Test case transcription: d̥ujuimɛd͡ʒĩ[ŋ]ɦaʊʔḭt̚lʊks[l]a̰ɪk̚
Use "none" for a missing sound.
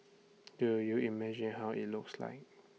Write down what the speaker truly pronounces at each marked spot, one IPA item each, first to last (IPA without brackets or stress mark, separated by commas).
n, l